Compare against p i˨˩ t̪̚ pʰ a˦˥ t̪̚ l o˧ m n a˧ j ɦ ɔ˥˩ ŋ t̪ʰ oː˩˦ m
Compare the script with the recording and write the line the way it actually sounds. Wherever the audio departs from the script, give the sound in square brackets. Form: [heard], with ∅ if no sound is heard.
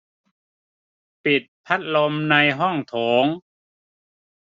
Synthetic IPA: p i˨˩ t̪̚ pʰ a˦˥ t̪̚ l o˧ m n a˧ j ɦ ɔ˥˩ ŋ t̪ʰ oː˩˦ [ŋ]